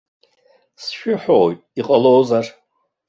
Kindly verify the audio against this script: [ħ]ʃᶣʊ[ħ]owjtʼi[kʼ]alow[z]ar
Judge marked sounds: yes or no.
no, yes, no, yes

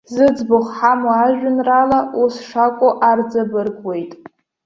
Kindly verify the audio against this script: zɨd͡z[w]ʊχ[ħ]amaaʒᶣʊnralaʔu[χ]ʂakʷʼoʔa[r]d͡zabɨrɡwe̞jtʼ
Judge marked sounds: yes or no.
no, yes, no, yes

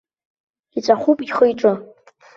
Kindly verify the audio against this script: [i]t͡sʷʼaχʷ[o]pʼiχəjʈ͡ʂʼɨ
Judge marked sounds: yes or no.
yes, no

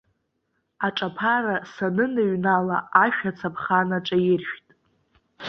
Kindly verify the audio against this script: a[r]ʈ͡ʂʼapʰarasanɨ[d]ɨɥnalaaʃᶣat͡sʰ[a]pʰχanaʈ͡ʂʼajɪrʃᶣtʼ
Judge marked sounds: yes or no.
no, no, yes

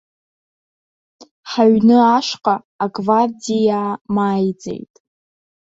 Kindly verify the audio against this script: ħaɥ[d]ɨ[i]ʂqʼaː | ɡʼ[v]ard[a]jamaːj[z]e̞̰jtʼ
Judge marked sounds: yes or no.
no, no, yes, no, no

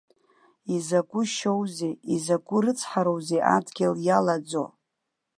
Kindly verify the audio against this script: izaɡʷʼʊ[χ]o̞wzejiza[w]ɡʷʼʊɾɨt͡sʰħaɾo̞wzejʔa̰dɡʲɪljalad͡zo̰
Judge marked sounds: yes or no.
no, no

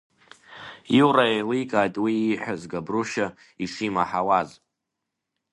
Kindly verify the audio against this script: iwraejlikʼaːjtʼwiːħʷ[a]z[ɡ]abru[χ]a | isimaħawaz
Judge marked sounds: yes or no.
yes, yes, no

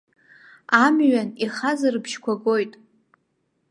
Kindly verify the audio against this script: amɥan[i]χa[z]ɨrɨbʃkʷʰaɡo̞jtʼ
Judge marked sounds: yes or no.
yes, yes

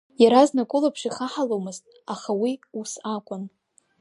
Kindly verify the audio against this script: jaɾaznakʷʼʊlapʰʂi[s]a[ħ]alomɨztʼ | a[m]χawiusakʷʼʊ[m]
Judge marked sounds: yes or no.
no, yes, no, no

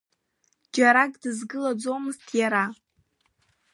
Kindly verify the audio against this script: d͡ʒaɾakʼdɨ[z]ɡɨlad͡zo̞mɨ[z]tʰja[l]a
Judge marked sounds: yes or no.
yes, yes, no

